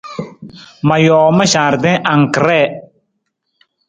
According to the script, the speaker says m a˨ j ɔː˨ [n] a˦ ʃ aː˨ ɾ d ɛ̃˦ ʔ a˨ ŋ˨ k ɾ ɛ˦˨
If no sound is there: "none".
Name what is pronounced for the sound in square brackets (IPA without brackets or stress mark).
m